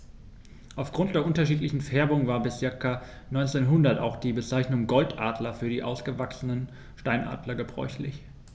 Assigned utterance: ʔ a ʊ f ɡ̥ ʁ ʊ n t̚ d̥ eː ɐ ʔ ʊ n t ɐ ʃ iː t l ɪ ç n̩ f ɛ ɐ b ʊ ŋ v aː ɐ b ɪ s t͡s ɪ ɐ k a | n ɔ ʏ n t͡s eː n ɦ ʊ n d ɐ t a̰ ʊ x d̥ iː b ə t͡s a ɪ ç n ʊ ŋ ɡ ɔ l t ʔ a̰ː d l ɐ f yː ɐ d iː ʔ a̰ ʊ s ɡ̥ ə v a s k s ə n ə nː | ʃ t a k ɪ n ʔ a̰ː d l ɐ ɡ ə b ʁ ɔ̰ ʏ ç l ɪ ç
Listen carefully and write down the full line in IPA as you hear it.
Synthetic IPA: ʔ a ʊ f ɡ̥ ʁ ʊ n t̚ d̥ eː ɐ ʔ ʊ n t ɐ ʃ iː t l ɪ ç n̩ f ɛ ɐ b ʊ ŋ v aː ɐ b ɪ s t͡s ɪ ɐ k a | n ɔ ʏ n t͡s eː n ɦ ʊ n d ɐ t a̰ ʊ x d̥ iː b ə t͡s a ɪ ç n ʊ ŋ ɡ ɔ l t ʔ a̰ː d l ɐ f yː ɐ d iː ʔ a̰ ʊ s ɡ̥ ə v a k s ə n ə n | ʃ t a ɪ n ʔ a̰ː d l ɐ ɡ ə b ʁ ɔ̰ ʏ ç l ɪ ç